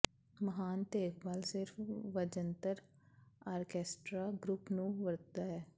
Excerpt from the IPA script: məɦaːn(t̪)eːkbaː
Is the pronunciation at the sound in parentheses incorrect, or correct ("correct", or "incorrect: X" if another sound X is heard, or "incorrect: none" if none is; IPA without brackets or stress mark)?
correct